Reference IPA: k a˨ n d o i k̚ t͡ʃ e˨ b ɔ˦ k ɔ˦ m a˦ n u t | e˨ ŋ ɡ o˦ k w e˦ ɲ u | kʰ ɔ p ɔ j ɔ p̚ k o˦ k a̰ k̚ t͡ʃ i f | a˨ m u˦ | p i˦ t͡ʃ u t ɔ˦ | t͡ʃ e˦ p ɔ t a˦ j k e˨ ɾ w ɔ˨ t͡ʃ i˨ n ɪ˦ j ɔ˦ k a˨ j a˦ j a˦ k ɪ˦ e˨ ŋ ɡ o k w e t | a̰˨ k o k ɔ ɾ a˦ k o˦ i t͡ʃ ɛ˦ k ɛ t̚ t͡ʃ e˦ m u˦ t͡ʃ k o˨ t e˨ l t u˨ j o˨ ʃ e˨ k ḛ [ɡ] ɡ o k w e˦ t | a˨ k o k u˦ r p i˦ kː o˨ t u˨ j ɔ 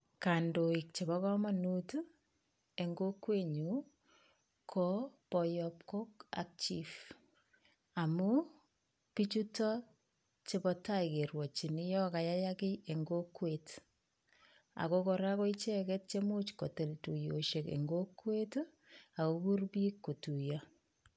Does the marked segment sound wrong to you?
yes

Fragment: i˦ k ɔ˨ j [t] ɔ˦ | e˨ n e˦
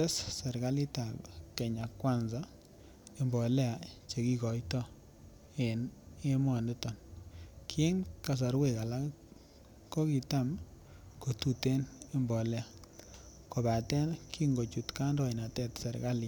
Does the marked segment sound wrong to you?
no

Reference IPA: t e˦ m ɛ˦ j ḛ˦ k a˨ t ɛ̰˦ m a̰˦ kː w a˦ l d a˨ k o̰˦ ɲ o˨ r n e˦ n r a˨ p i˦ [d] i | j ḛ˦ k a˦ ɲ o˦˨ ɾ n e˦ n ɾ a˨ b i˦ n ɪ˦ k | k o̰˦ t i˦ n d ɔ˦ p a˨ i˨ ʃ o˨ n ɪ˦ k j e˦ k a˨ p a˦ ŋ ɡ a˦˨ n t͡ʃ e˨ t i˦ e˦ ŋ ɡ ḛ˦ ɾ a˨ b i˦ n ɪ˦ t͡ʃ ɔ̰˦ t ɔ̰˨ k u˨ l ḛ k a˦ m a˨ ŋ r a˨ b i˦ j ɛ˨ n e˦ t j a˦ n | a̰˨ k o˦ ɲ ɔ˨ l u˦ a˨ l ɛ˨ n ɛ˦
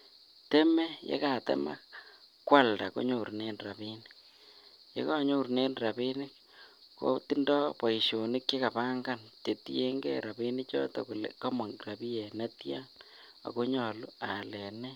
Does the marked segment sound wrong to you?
yes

